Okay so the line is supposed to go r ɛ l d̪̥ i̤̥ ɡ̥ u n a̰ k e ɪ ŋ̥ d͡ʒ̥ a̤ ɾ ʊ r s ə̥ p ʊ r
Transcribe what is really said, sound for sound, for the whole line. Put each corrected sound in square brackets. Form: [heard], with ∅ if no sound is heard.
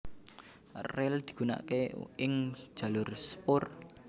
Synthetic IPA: r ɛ l d̪̥ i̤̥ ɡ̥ u n a̰ k e ɪ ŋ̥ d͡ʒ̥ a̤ [l] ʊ r s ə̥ p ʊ r